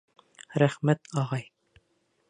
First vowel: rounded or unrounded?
unrounded